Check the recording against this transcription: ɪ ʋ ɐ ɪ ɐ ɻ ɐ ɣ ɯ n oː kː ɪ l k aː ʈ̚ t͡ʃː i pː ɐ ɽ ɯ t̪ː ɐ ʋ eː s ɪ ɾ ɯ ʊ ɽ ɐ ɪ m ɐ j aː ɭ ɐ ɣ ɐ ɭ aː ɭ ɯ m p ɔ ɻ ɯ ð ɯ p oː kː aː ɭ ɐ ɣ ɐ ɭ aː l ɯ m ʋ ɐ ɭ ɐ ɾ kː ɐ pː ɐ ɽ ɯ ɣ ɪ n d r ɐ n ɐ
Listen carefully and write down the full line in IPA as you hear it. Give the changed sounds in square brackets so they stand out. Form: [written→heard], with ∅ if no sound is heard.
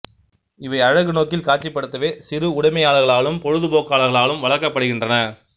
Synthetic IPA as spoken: ɪ ʋ ɐ ɪ ɐ ɻ ɐ ɣ ɯ n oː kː ɪ l k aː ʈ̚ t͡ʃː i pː ɐ ɽ ɯ t̪ː ɐ ʋ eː s ɪ ɾ ɯ ʊ ɽ ɐ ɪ m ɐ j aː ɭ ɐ ɣ ɐ ɭ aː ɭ ɯ m p ɔ ɻ ɯ ð ɯ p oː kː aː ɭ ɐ ɣ ɐ ɭ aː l ɯ m ʋ ɐ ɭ ɐ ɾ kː ɐ pː ɐ ɽ ɯ ɣ ɪ n d r ɐ n ɐ